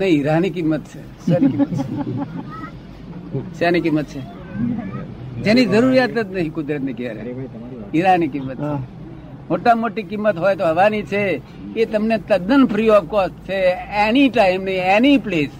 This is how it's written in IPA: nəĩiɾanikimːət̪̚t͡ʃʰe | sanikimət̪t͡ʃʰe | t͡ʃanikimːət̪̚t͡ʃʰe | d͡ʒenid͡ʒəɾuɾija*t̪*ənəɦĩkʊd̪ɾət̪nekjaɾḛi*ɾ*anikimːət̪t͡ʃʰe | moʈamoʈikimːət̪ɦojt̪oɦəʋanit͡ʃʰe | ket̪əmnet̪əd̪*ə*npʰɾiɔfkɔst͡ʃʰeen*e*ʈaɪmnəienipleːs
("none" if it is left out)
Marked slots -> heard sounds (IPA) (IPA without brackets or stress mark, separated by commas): t̪, ɾ, ə, i